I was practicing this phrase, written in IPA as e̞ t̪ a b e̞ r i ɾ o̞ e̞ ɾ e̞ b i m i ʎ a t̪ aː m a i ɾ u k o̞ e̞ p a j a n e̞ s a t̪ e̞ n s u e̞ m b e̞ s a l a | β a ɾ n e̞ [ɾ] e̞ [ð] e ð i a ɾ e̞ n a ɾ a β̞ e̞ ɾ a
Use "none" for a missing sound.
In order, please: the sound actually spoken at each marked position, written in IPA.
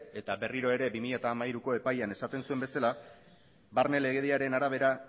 l, ɣ

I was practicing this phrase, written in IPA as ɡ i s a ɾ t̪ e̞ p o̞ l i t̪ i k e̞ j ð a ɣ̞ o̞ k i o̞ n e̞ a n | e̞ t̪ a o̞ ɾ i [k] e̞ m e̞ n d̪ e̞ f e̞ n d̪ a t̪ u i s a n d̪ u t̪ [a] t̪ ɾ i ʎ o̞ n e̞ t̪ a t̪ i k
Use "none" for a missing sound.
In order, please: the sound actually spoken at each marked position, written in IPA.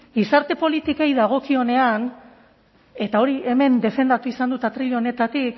none, a

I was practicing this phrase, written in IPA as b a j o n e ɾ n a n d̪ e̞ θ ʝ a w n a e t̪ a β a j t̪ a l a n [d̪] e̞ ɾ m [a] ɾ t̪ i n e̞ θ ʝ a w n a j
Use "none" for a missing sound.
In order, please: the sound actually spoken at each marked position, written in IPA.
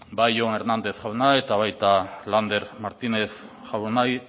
d̪, a

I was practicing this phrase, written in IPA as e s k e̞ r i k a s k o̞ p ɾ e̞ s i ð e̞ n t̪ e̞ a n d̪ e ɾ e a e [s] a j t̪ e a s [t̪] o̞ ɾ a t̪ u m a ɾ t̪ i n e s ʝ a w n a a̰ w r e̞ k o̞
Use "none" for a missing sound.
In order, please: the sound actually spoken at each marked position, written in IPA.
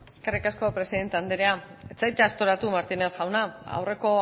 t͡s, t̪

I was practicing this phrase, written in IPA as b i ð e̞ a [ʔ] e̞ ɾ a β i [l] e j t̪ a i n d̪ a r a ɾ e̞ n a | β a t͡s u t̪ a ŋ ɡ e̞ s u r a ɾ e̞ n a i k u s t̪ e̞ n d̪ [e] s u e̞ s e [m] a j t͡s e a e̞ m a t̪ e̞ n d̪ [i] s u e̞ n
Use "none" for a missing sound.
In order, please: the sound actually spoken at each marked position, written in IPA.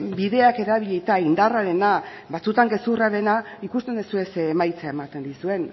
k, ʎ, e, m, i

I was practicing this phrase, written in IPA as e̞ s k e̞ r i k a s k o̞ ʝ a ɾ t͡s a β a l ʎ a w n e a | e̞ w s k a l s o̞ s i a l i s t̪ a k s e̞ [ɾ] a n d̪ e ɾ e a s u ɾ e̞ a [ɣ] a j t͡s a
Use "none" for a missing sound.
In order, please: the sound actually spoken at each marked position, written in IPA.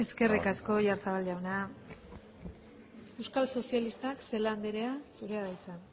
l, ð

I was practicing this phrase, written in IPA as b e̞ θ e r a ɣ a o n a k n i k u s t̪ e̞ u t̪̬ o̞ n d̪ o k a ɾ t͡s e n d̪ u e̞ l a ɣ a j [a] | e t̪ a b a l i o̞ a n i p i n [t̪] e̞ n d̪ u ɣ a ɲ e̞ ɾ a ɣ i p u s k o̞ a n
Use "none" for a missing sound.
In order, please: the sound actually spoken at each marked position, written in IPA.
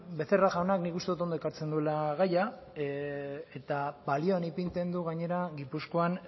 a, t̪

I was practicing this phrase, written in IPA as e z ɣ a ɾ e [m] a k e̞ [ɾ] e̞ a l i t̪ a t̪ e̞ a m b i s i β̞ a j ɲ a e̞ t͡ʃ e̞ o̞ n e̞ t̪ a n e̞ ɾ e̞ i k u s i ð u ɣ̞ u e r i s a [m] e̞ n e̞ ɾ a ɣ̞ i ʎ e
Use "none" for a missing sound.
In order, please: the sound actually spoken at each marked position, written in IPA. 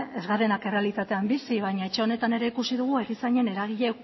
n, r, ɲ

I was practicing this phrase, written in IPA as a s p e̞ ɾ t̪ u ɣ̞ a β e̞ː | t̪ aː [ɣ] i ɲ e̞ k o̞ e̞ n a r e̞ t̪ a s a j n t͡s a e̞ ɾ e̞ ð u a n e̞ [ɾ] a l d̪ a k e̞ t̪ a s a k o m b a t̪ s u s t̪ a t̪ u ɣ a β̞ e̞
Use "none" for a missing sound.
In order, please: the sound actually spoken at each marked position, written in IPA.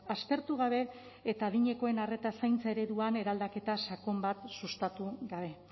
ð, ɾ

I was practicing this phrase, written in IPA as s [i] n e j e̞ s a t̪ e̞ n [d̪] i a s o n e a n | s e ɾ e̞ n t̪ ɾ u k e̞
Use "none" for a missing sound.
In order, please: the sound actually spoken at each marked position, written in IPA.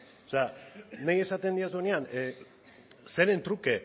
a, d̪

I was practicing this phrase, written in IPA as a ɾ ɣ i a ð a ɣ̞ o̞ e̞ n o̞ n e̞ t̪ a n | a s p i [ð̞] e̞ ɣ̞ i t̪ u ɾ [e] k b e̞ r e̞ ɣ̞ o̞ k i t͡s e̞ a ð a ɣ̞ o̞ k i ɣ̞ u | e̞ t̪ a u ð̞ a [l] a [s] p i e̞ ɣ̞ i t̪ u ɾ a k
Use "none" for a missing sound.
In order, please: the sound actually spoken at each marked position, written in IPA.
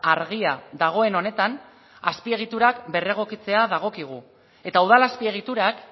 none, a, l, s

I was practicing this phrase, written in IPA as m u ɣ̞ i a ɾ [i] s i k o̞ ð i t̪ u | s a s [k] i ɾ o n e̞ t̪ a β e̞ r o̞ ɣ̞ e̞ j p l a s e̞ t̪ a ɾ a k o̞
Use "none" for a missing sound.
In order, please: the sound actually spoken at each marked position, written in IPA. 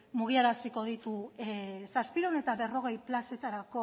a, p

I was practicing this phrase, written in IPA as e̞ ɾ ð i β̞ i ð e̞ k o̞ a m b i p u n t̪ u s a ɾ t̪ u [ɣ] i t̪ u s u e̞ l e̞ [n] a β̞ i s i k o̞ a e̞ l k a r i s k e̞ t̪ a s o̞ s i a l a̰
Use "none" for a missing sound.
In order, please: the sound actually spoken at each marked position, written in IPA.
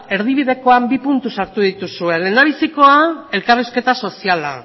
ð, n

